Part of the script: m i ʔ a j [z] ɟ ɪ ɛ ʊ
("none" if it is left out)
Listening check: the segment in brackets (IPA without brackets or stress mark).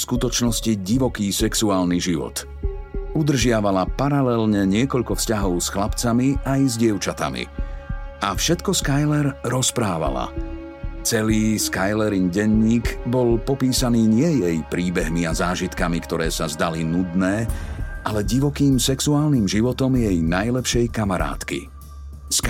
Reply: z